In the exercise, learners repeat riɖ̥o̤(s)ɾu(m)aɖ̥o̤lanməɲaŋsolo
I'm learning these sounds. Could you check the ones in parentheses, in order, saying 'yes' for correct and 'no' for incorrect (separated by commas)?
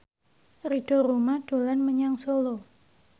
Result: no, yes